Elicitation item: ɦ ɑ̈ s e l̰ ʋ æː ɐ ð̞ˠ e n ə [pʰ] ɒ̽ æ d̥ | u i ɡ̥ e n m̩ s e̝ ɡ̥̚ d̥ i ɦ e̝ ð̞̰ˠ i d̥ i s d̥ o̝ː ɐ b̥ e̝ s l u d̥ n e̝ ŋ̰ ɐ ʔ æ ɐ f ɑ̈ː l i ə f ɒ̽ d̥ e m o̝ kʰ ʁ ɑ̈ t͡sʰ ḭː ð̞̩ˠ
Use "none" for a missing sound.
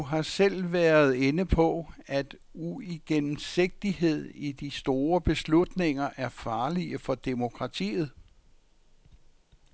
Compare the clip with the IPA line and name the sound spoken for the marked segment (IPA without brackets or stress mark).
pʰ